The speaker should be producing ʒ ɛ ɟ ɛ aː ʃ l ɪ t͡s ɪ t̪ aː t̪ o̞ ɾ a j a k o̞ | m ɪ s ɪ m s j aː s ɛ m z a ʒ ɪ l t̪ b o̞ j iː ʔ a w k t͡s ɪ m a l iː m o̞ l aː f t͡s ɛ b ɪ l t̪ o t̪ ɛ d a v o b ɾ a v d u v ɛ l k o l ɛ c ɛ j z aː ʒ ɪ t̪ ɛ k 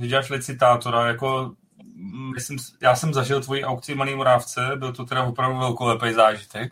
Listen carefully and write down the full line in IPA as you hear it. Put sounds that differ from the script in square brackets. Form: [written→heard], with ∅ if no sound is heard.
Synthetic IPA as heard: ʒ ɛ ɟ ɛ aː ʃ l ɪ t͡s ɪ t̪ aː t̪ o̞ ɾ a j a k o̞ | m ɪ s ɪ m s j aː s ɛ m z a ʒ ɪ l t̪ [b→v] o̞ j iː ʔ a w k t͡s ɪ m a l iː m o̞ [l→ɾ] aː f t͡s ɛ b ɪ l t̪ o t̪ ɛ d a v o [b→p] ɾ a v d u v ɛ l k o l ɛ [c→p] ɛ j z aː ʒ ɪ t̪ ɛ k